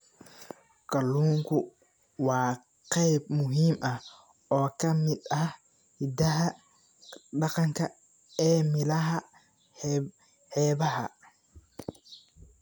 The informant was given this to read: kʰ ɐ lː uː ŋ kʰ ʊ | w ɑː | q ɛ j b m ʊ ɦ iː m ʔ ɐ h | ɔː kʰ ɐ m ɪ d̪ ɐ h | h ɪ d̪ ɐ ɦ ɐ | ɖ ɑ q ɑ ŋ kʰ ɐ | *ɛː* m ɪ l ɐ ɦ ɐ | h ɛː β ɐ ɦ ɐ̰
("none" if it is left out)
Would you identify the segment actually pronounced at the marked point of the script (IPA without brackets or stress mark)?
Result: ɛː